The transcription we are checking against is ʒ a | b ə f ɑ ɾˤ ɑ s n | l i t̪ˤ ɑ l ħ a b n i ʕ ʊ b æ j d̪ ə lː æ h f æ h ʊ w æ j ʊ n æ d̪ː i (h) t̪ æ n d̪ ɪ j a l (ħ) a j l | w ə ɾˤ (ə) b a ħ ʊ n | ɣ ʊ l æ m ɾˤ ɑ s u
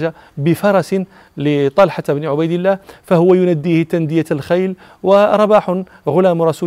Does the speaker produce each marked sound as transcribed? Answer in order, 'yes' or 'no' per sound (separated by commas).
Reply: yes, no, no